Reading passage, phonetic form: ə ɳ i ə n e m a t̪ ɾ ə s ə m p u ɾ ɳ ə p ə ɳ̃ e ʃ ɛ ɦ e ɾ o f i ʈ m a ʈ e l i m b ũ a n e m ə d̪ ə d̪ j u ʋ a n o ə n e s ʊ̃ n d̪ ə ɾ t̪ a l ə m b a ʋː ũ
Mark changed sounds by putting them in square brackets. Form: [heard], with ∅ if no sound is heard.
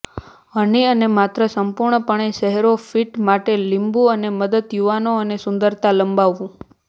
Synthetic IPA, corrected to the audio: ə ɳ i ə n e m a t̪ ɾ ə s ə m p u ɾ ɳ ə p ə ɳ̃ e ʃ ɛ ɦ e ɾ o f i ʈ m a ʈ e l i m b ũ [ə] n e m ə d̪ ə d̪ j u ʋ a n o ə n e s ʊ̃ n d̪ ə ɾ t̪ a l ə m b a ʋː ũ